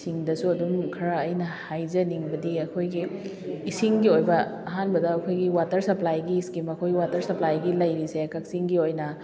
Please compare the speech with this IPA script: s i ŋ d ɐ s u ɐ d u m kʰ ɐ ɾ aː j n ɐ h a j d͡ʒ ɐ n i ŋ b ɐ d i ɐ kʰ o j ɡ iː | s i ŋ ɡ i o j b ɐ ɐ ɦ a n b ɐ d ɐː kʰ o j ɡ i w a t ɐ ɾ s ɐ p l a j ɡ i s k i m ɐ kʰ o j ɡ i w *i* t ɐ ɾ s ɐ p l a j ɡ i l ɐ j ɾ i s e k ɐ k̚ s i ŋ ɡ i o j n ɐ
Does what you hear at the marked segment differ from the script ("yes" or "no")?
yes